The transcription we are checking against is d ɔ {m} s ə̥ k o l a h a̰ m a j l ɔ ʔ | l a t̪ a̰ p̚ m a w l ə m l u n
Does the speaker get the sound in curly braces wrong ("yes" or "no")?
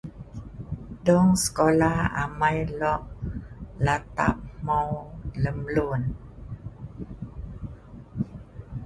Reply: yes